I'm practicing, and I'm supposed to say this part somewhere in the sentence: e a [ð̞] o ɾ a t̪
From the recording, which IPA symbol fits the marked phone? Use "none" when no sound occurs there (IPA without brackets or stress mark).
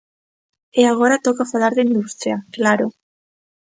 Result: ɣ̞